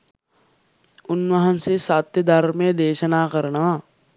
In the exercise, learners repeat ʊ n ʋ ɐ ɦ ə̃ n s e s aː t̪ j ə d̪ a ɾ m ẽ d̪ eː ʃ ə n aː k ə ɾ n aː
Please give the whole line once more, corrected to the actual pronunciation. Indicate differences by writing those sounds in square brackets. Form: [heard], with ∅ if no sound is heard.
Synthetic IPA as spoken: ʊ n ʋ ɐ ɦ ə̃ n s e s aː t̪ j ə d̪ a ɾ m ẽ d̪ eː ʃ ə n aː k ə ɾ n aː